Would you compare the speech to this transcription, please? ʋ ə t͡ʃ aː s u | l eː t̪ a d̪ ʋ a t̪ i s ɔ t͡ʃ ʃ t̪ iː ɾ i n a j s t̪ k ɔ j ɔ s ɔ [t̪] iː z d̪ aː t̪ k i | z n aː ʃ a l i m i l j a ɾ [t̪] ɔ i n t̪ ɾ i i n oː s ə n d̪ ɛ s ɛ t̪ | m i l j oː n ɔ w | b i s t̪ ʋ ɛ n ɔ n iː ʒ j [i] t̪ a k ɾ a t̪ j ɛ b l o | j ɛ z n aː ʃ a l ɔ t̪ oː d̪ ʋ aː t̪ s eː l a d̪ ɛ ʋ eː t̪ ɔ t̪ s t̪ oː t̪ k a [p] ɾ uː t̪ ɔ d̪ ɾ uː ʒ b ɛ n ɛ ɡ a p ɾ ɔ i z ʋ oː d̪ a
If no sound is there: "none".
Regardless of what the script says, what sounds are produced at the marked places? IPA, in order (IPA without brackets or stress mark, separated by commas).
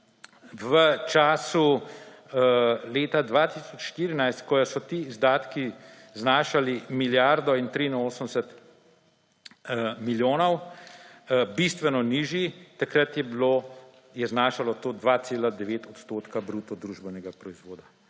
t̪, d̪, i, b